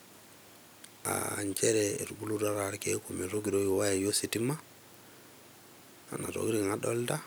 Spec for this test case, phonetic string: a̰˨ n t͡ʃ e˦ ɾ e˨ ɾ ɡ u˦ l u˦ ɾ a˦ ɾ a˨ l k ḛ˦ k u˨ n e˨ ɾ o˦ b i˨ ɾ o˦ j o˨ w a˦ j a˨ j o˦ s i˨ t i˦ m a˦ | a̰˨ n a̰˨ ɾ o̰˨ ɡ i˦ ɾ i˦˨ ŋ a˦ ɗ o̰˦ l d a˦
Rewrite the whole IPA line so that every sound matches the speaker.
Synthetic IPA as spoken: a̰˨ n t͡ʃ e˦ ɾ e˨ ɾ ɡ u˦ l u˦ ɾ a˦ ɾ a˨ ɾ k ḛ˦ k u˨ m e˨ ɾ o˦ ɡ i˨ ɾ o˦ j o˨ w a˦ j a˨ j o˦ s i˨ t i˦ m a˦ | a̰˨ n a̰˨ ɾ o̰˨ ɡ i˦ ɾ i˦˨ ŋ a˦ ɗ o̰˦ l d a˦